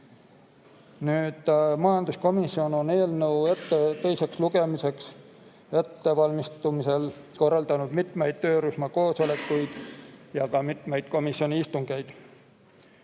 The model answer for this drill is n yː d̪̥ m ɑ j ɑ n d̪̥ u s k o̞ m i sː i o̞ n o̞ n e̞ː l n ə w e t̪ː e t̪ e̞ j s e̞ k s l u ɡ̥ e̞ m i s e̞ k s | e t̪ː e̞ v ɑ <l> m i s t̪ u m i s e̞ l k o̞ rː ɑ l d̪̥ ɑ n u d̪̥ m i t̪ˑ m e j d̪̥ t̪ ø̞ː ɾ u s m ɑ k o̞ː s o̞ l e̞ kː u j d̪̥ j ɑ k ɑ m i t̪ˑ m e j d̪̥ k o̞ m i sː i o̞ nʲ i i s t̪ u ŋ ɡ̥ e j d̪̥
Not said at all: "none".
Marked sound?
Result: l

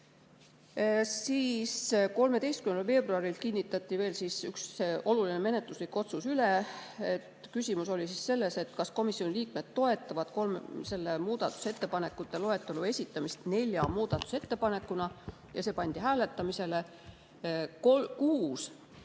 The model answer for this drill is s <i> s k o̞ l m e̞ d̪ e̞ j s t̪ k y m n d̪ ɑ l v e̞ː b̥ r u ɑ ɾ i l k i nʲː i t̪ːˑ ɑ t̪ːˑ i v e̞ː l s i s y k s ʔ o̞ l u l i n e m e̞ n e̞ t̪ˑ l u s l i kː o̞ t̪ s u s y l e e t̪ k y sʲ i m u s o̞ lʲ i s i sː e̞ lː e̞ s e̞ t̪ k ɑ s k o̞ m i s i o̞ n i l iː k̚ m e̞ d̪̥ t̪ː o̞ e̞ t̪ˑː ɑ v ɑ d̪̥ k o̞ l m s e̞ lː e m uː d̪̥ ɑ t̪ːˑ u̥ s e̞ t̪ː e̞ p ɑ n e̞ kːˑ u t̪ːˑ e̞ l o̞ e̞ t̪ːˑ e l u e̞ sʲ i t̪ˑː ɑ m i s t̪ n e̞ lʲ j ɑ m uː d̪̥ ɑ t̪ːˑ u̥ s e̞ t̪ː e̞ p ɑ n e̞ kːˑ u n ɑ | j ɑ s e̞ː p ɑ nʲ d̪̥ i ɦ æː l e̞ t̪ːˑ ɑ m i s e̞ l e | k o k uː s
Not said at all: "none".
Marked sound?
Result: iː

